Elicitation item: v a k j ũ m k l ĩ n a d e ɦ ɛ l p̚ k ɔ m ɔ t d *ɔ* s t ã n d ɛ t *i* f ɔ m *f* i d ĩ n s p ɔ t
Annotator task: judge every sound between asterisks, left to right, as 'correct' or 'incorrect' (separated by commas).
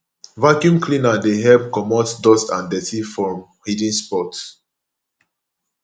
correct, correct, incorrect